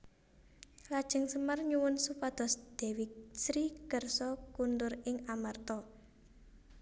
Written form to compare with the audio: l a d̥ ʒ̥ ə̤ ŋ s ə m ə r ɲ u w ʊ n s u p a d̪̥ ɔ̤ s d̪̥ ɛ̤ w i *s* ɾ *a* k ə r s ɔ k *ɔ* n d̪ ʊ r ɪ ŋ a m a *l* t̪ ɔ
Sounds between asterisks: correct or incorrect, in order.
correct, incorrect, incorrect, incorrect

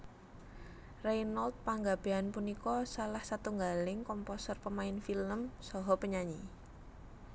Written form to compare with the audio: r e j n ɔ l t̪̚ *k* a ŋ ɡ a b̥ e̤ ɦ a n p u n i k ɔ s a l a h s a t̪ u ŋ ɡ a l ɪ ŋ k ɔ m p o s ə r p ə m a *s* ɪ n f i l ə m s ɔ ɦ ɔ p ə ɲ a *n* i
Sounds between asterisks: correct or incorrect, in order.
incorrect, incorrect, incorrect

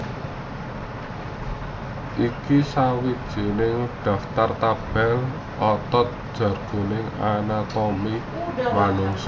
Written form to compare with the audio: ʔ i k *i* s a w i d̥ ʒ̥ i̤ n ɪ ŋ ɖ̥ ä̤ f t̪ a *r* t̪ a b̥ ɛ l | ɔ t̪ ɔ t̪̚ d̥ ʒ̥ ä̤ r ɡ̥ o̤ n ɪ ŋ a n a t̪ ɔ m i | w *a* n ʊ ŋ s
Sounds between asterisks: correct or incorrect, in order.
correct, correct, correct

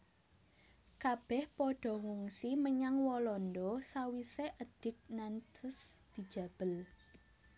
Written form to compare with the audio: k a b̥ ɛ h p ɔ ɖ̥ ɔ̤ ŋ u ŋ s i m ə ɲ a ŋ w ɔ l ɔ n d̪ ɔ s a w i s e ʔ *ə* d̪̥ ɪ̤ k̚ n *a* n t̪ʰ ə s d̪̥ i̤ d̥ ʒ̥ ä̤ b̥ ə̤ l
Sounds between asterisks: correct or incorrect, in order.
correct, correct

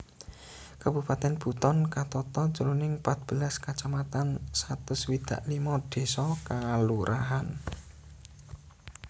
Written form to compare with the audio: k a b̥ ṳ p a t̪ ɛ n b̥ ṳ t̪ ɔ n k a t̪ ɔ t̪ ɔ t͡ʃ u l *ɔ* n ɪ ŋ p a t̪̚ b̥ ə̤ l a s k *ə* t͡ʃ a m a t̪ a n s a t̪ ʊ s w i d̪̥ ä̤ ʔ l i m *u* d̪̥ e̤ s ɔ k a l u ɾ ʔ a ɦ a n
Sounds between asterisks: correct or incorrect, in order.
incorrect, incorrect, incorrect

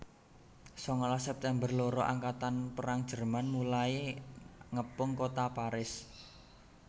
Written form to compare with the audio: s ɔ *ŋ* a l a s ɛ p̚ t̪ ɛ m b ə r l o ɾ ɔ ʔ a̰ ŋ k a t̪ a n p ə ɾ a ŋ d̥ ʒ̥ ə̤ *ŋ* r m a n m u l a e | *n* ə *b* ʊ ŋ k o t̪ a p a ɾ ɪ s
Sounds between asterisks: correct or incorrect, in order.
correct, incorrect, incorrect, incorrect

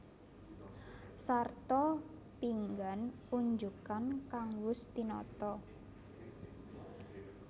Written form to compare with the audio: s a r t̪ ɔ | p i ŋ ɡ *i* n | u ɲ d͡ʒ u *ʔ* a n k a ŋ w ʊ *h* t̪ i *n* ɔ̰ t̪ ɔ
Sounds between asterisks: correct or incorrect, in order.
incorrect, incorrect, incorrect, correct

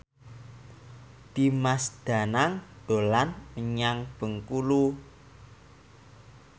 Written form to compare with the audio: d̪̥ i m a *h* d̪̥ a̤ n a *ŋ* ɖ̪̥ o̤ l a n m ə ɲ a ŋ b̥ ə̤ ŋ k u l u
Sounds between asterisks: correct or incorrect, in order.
incorrect, correct

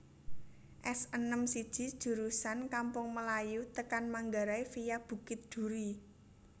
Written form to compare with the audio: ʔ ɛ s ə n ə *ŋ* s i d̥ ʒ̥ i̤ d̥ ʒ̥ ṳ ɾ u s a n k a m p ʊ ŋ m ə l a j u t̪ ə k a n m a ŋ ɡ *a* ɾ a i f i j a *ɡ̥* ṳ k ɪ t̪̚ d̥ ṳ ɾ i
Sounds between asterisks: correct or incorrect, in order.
incorrect, correct, incorrect

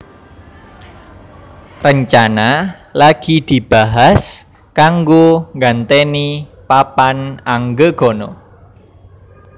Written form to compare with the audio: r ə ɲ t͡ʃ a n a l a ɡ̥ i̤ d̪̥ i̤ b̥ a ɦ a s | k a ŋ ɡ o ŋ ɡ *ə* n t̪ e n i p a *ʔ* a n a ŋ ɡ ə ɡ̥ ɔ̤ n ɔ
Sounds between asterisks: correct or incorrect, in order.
incorrect, incorrect

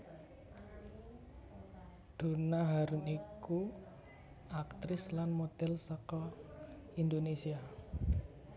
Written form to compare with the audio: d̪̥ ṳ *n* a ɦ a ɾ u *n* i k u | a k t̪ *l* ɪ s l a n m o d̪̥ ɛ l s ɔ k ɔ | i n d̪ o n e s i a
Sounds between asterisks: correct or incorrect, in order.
correct, correct, incorrect

